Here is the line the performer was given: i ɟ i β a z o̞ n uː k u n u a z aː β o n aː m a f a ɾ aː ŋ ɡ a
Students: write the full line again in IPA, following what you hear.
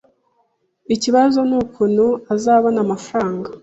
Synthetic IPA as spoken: i c i β a z o̞ n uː k u n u a z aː β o n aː m a f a ɾ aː ŋ ɡ a